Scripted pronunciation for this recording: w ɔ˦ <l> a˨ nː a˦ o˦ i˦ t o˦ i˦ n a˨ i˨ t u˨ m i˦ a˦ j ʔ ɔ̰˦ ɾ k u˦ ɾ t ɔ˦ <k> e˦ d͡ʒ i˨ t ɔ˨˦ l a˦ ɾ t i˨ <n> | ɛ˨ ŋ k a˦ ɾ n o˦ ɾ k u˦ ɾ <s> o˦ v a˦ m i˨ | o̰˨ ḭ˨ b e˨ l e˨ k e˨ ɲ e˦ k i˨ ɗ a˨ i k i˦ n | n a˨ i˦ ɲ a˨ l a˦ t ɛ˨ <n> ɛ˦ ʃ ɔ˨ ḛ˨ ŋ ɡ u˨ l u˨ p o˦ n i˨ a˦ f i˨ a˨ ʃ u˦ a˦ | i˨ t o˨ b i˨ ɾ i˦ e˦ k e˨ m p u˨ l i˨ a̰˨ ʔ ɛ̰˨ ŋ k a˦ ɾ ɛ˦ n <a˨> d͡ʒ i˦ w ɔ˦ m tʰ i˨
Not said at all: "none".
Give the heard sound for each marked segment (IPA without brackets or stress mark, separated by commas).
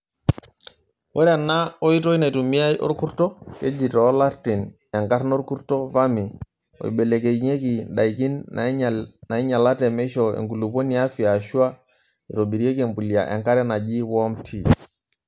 ɾ, k, n, t, m, a˨